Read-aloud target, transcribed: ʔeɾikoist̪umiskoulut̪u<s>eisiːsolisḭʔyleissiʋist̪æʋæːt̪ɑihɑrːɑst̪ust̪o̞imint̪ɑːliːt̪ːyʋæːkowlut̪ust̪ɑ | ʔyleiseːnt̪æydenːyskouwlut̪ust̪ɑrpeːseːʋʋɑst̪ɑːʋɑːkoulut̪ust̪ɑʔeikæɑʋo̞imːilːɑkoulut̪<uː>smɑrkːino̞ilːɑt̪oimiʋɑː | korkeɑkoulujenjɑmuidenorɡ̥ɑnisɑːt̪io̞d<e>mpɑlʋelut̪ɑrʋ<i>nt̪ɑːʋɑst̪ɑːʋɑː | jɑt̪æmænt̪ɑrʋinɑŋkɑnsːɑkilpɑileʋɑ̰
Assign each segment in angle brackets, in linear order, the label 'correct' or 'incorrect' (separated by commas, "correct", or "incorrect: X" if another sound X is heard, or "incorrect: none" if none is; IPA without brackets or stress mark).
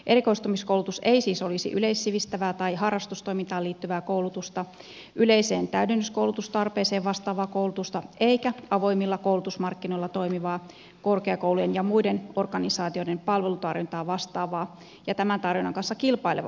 correct, incorrect: u, correct, correct